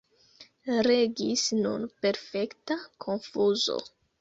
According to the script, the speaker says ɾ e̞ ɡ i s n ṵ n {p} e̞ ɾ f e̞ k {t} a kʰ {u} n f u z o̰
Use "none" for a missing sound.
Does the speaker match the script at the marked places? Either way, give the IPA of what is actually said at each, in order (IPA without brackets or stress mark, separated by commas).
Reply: p, t, o